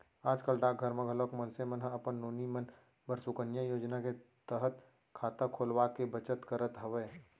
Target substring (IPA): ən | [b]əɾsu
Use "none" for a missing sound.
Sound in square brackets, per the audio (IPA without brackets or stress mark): b